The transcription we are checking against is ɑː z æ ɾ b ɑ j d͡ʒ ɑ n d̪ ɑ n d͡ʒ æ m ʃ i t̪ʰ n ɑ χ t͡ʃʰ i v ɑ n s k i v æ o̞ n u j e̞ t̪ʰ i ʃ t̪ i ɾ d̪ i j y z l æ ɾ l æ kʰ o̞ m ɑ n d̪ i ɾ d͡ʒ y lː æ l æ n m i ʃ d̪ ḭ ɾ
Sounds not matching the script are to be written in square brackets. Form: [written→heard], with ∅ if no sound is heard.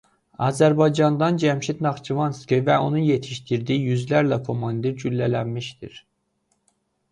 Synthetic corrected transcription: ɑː z æ ɾ b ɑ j d͡ʒ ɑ n d̪ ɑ n d͡ʒ æ m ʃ i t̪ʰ n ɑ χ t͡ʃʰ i v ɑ n s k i v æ o̞ n u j e̞ t̪ʰ i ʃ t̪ i ɾ d̪ i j y z l æ ɾ l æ kʰ o̞ m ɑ n d̪ i ɾ d͡ʒ y lː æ l æ n m i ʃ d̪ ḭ ɾ